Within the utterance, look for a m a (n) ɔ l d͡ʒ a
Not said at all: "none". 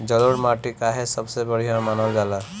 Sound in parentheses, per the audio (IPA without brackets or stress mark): n